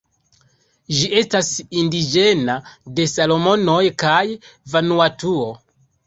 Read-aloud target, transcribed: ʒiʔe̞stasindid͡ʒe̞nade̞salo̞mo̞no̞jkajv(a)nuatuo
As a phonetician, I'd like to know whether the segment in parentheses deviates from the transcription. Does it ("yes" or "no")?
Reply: no